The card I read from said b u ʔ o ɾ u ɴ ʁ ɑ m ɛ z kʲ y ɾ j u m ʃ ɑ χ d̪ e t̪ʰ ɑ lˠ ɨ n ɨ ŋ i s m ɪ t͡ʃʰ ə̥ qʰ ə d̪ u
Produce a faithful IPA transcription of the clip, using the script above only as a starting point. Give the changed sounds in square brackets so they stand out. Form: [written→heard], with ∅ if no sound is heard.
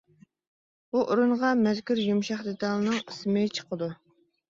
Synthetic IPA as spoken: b u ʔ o ɾ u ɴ ʁ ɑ m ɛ z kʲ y ɾ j u m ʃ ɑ χ d̪ e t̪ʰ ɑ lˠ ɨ n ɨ ŋ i s m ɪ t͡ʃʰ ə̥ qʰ ə d̪ u